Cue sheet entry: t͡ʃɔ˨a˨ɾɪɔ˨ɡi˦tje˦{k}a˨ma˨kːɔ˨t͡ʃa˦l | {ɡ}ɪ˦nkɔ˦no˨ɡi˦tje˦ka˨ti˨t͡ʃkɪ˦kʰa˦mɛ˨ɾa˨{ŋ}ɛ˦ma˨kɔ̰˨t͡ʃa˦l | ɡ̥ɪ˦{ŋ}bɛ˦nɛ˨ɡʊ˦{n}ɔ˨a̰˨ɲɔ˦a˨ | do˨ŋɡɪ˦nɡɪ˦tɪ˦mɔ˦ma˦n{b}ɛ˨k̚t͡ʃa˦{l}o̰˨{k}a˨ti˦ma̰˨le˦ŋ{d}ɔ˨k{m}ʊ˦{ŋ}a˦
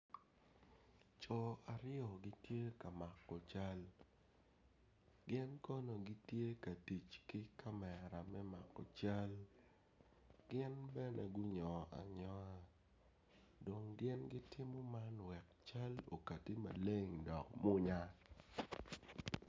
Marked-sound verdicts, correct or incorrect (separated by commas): correct, correct, incorrect, incorrect, incorrect, incorrect, correct, correct, correct, correct, incorrect